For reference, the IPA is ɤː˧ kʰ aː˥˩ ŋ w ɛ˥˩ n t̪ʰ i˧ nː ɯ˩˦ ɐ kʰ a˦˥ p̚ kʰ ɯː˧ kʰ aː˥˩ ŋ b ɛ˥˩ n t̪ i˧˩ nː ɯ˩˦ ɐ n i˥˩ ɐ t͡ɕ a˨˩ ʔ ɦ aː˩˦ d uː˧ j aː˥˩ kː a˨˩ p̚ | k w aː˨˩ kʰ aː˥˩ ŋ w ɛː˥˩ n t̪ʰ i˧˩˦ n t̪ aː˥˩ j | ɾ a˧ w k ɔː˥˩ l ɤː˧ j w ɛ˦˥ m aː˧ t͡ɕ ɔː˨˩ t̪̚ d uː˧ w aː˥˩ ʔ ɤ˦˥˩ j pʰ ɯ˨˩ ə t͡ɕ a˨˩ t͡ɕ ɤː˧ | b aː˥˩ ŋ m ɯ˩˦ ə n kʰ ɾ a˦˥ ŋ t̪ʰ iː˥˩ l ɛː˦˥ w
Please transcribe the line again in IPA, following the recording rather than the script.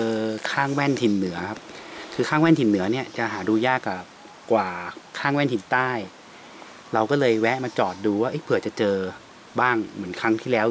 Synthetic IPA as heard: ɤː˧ kʰ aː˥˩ ŋ w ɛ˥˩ n t̪ʰ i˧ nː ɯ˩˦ ɐ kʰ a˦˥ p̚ kʰ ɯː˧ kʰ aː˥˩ ŋ w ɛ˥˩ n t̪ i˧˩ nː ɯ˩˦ ɐ n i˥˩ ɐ t͡ɕ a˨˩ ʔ ɦ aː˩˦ d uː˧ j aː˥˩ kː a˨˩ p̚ | k w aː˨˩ kʰ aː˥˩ ŋ w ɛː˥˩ n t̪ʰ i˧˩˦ n t̪ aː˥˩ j | ɾ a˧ w k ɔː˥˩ l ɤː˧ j w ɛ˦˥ m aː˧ t͡ɕ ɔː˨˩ t̪̚ d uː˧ w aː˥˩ ʔ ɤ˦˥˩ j pʰ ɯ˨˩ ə t͡ɕ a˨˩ t͡ɕ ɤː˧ | b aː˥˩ ŋ m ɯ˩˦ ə n kʰ ɾ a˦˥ ŋ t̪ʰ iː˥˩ l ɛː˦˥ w